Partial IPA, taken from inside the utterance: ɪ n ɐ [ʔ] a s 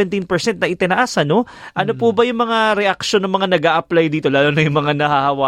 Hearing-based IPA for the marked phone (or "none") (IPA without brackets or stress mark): ʔ